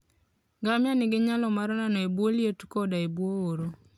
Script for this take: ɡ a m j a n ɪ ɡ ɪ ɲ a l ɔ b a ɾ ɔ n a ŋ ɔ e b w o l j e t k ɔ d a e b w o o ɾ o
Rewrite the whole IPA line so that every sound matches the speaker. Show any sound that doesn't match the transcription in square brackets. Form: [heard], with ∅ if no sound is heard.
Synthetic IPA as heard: ɡ a m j a n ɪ ɡ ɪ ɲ a l ɔ [m] a ɾ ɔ n a [n] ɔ e b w o l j e t k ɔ d a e b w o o ɾ o